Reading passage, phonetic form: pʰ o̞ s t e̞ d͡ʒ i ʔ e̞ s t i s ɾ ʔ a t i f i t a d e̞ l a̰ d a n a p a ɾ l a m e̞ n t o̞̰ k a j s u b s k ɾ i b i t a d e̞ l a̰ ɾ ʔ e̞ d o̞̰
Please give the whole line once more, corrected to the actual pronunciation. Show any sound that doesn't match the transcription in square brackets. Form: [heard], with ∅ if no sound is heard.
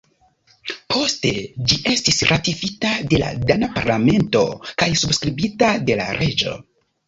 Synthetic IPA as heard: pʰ o̞ s t e̞ d͡ʒ i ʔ e̞ s t i s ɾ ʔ a t i f i t a d e̞ l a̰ d a n a p a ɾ l a m e̞ n t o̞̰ k a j s u b s k ɾ i b i t a d e̞ l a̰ ɾ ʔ e̞ [d͡ʒ] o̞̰